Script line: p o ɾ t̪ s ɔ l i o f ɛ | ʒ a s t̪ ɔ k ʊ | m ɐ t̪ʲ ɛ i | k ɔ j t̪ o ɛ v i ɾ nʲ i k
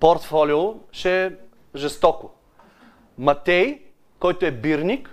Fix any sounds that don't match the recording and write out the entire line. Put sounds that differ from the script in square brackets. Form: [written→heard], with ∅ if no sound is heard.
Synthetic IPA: p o ɾ t̪ [s→f] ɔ l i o [f→ʃ] ɛ | ʒ [a→ɛ] s t̪ ɔ k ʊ | m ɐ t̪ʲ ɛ [i→j] | k ɔ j t̪ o ɛ [v→b] i ɾ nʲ i k